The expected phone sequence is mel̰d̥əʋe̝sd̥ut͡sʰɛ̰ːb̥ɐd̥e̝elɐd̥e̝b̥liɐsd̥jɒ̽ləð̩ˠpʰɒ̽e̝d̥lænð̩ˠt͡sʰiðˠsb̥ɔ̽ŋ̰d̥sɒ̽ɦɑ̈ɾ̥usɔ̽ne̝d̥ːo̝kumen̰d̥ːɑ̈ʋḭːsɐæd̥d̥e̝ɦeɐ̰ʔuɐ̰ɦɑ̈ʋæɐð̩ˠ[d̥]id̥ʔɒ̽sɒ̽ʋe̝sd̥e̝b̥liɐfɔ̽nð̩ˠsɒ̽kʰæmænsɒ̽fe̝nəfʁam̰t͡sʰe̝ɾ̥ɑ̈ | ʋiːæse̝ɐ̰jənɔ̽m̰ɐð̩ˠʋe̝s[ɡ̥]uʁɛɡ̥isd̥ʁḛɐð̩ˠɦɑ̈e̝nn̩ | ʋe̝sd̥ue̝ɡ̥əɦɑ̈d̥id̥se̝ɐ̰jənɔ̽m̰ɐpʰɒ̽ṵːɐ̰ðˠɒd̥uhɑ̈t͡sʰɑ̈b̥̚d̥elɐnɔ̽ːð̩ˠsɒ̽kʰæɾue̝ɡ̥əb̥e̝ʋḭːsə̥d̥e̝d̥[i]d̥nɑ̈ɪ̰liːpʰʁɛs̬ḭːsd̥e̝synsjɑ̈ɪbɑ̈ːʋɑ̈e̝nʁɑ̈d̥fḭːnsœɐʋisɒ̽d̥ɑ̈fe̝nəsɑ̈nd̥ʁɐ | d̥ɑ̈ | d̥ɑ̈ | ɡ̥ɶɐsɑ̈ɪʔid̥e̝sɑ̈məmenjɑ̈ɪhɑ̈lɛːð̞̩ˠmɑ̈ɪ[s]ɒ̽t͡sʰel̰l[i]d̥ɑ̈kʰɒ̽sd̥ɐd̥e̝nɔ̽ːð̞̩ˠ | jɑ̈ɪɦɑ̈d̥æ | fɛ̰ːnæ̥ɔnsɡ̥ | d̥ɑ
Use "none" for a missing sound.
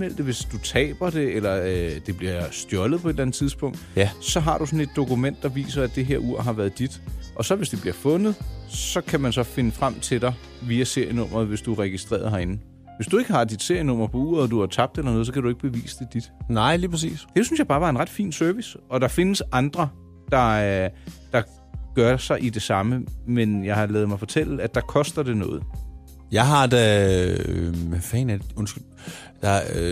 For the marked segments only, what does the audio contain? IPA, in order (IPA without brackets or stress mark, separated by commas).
d̥, d̥, i, f, æ